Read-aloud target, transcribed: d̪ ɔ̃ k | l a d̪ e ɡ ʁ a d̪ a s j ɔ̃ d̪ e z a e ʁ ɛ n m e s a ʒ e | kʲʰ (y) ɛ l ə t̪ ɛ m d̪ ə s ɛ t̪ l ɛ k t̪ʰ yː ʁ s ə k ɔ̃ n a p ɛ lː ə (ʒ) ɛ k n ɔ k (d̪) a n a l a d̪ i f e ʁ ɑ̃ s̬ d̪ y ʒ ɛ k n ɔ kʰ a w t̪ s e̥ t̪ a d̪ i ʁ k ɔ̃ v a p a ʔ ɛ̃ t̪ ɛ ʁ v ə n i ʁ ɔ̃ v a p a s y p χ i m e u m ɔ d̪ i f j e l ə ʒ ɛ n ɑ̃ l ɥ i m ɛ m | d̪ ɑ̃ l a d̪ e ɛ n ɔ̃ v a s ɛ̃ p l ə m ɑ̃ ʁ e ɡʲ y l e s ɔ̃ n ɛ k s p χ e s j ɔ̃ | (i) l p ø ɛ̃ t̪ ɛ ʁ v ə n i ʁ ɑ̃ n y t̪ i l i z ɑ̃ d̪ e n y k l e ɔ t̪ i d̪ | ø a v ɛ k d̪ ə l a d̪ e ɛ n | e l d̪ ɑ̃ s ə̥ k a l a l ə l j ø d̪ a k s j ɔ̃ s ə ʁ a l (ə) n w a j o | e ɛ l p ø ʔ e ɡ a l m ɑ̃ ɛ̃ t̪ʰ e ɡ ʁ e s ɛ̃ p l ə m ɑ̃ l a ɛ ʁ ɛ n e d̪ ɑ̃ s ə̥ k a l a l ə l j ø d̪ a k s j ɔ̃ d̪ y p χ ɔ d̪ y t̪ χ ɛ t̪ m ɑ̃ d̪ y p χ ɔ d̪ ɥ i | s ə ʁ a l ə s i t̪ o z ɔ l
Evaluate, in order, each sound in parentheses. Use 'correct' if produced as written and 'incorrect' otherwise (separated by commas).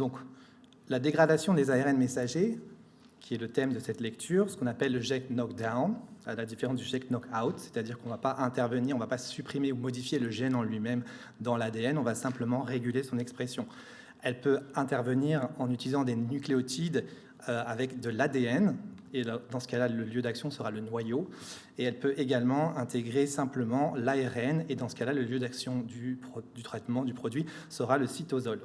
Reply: incorrect, correct, correct, incorrect, correct